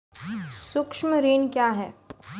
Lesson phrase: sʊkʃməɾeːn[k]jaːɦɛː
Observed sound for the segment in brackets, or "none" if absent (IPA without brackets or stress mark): k